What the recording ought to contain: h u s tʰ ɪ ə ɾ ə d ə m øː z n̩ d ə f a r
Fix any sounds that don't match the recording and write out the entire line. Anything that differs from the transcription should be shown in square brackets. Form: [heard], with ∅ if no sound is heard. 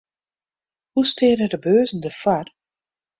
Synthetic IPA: h u s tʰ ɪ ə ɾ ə d ə [b] øː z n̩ d ə f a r